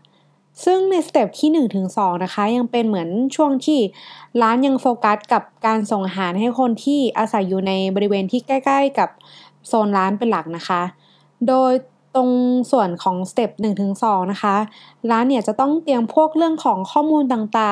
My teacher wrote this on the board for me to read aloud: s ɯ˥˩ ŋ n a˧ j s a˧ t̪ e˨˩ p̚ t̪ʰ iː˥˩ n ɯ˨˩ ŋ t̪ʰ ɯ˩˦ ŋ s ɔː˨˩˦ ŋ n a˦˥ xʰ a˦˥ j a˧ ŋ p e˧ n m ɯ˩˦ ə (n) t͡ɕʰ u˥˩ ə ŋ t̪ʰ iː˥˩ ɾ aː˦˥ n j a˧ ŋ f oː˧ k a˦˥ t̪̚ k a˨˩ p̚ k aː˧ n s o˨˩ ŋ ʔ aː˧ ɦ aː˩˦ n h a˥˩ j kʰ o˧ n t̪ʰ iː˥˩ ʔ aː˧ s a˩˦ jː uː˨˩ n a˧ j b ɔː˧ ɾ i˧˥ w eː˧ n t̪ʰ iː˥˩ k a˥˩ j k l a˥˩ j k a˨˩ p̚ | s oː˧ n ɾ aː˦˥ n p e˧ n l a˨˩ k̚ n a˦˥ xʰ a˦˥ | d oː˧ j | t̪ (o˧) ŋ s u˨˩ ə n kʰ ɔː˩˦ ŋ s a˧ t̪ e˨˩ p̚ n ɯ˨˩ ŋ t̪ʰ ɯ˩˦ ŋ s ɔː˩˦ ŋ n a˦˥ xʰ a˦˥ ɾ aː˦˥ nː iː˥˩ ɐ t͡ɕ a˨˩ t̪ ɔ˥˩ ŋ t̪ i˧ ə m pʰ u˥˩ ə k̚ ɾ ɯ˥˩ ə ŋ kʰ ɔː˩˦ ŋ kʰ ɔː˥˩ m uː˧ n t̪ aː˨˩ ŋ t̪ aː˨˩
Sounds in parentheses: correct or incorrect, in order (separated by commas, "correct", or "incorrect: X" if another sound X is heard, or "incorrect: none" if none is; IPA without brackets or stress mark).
correct, correct